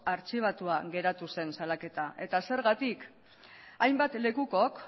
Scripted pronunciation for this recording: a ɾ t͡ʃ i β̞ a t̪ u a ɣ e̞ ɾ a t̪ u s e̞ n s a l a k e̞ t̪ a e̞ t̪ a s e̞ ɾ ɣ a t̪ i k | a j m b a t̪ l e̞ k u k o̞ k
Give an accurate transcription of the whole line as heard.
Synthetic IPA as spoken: a ɾ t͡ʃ i β̞ a t̪ u a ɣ e̞ ɾ a t̪ u s e̞ n s a l a k e̞ t̪ a e̞ t̪ a s e̞ ɾ ɣ a t̪ i k | a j m b a t̪ l e̞ k u k o̞ k